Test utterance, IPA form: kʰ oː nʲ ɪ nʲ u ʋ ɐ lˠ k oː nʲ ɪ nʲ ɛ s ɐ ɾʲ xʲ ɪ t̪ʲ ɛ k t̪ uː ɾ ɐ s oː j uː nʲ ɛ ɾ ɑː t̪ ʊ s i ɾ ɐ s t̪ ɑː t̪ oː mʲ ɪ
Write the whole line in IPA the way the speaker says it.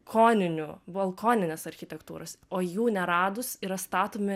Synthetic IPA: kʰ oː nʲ ɪ nʲ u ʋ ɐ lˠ k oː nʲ ɪ nʲ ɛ s ɐ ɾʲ xʲ ɪ t̪ʲ ɛ k t̪ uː ɾ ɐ s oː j uː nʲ ɛ ɾ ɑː d̪ ʊ s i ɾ ɐ s t̪ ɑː t̪ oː mʲ ɪ